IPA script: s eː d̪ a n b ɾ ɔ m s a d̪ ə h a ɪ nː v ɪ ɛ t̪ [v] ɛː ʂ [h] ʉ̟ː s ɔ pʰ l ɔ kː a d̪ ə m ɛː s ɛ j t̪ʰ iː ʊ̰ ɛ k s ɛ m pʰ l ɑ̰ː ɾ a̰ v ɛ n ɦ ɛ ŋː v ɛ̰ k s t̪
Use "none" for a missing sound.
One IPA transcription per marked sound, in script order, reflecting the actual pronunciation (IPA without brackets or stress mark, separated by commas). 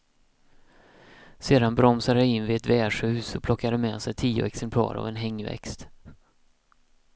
v, h